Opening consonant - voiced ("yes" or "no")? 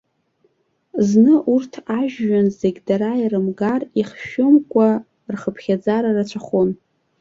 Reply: yes